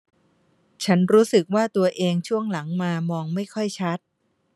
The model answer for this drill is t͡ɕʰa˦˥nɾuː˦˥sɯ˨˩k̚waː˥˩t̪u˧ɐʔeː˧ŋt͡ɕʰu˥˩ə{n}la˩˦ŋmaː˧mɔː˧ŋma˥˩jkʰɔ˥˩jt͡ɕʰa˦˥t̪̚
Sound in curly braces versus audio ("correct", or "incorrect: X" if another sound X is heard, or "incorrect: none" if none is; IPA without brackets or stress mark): incorrect: ŋ